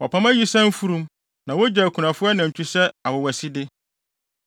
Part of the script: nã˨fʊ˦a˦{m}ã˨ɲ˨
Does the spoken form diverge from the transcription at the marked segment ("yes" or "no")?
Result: yes